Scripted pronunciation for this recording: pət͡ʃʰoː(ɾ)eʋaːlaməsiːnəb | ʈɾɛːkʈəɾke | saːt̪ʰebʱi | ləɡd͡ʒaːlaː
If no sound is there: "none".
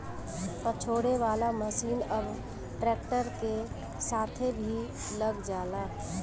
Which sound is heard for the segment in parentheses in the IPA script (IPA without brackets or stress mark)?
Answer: ɽ